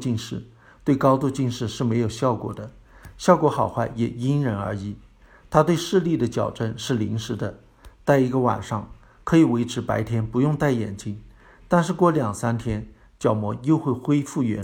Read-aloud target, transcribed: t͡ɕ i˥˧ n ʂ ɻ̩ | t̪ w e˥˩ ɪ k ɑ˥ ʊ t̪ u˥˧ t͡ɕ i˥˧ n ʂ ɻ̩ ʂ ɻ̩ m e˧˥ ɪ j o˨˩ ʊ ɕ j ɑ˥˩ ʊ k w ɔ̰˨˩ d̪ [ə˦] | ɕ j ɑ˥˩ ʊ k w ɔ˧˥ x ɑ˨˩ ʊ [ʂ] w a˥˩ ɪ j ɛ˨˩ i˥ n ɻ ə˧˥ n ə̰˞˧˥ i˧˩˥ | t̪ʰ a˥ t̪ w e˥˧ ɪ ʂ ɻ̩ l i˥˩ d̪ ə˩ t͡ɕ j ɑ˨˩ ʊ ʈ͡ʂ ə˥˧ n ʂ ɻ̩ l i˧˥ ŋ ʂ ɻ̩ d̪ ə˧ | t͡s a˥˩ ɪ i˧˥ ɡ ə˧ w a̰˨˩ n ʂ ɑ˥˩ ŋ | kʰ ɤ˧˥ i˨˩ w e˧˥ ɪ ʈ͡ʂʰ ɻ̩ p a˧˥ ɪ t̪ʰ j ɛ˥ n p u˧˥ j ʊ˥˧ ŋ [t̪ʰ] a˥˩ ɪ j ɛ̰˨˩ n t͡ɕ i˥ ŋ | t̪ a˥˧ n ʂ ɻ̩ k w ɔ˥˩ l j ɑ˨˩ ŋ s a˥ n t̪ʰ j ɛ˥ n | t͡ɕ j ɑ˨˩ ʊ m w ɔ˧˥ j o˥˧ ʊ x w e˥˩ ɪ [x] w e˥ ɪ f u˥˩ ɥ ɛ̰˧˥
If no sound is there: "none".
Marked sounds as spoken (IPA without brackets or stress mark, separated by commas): ə˦, x, t̪, x